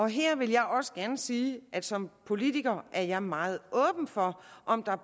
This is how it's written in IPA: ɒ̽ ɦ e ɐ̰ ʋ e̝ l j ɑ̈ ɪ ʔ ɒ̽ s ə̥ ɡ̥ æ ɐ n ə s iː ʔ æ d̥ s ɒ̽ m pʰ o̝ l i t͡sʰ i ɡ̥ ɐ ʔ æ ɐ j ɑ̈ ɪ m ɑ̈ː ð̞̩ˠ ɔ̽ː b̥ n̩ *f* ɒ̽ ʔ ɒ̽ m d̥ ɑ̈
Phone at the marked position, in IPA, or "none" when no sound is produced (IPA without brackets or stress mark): f